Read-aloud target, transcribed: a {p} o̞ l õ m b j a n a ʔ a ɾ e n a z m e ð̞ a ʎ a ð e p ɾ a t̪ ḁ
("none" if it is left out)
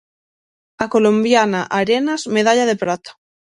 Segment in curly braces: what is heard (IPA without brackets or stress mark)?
k